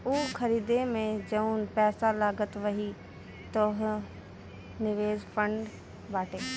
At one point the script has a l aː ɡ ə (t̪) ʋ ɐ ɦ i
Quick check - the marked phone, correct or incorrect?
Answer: correct